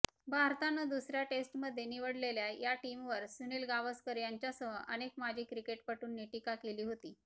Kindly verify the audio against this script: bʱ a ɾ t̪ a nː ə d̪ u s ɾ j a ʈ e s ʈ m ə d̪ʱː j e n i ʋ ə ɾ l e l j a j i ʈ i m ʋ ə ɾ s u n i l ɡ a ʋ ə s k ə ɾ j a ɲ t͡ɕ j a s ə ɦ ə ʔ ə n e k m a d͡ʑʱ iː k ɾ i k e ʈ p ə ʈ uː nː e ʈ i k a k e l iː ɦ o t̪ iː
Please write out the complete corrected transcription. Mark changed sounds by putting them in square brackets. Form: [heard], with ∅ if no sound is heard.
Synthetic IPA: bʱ a ɾ t̪ a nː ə d̪ u s ɾ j a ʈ e s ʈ m ə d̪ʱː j e n i ʋ ə [ɽ] l e l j a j [a] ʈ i m ʋ ə ɾ s u n i l ɡ a ʋ ə s k ə ɾ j a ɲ t͡ɕ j a s ə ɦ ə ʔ ə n e k m a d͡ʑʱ iː k ɾ i k e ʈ p ə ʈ uː nː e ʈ i k a k e l iː ɦ o t̪ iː

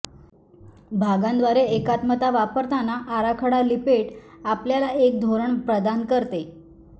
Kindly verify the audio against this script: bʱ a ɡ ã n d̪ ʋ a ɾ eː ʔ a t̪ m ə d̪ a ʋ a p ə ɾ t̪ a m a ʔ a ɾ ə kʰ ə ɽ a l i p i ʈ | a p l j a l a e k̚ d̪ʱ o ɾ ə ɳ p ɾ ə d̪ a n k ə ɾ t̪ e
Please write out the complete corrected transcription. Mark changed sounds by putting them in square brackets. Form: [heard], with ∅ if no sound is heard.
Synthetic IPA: bʱ a ɡ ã n d̪ ʋ a ɾ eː [k] a t̪ m ə [t̪] a ʋ a p ə ɾ t̪ a [n] a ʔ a ɾ [a] kʰ ə ɽ a l i p [e] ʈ | a p l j a l a e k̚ d̪ʱ o ɾ ə ɳ p ɾ ə d̪ a n k ə ɾ t̪ e

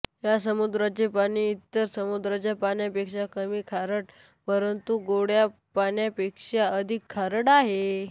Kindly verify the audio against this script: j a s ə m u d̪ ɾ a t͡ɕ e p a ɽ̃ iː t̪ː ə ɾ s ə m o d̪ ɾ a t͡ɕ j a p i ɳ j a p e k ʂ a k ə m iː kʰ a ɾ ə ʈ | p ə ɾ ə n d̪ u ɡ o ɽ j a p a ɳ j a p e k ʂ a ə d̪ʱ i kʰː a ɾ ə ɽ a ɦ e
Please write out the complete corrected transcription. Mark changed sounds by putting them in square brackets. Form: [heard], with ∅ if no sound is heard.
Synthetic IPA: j a s ə m u d̪ ɾ a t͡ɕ e p a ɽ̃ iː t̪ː ə ɾ s ə m [u] d̪ ɾ a t͡ɕ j a p [a] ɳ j a p e k ʂ a k ə m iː kʰ a ɾ ə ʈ | p ə ɾ ə n [t̪] u ɡ o ɽ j a p a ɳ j a p e k ʂ a ə d̪ʱ i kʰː a ɾ ə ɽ a ɦ e

